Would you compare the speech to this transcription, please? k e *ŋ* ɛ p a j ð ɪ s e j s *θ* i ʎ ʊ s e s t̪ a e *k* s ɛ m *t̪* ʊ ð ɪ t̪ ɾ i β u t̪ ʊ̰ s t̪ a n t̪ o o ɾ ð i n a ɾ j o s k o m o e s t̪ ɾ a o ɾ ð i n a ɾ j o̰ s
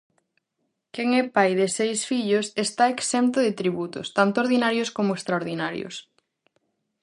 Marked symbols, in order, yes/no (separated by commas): yes, no, yes, yes